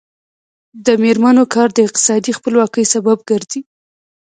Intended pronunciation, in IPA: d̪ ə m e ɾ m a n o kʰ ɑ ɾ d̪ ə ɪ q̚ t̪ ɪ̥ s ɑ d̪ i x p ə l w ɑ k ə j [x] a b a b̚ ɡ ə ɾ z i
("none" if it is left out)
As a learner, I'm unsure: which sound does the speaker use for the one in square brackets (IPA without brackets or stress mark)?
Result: s